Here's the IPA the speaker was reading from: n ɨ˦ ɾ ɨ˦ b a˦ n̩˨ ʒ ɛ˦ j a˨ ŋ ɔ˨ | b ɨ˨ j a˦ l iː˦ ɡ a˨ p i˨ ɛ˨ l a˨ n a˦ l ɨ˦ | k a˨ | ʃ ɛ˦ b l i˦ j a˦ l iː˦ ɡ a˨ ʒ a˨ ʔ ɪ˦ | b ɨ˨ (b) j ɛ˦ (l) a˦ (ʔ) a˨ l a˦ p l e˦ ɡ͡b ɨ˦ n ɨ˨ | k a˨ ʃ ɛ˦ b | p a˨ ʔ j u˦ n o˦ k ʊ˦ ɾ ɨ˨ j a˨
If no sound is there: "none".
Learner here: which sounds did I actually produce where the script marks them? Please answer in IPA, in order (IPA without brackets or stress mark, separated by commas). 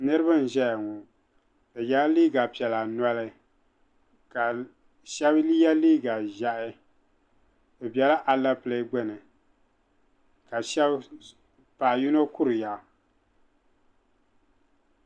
b, l, ʔ